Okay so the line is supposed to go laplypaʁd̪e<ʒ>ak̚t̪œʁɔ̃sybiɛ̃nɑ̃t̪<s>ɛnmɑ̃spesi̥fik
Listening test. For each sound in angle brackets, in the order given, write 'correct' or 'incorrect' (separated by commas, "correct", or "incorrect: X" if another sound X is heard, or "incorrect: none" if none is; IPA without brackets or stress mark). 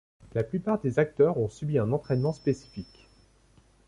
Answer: incorrect: z, incorrect: χ